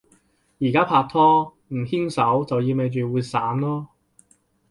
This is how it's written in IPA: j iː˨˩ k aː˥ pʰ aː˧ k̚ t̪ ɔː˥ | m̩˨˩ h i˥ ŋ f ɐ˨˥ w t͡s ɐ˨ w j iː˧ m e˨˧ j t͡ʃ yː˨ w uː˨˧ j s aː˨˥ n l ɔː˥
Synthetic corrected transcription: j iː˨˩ k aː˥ pʰ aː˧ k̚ t̪ʰ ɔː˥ | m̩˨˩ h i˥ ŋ s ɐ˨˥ w t͡s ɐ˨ w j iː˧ m e˨˧ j t͡ʃ yː˨ w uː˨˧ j s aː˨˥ n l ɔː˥